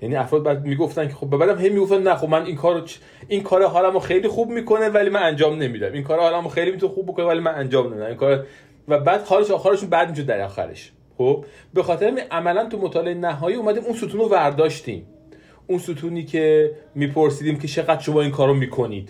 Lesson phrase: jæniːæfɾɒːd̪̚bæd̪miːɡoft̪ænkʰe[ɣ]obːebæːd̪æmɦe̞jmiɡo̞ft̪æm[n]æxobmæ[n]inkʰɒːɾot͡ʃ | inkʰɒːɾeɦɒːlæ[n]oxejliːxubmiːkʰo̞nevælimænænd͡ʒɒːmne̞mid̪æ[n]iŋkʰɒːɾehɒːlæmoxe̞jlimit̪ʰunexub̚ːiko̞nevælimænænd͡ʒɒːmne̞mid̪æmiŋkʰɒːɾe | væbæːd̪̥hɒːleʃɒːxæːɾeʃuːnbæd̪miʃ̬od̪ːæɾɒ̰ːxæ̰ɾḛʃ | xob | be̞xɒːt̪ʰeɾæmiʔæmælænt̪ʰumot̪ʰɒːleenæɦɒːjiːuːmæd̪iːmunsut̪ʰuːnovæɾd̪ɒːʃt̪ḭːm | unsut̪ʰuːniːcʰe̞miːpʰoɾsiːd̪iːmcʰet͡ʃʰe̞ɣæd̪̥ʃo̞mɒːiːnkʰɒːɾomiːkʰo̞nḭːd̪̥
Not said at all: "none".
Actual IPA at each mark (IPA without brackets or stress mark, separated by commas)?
x, n, n, m, m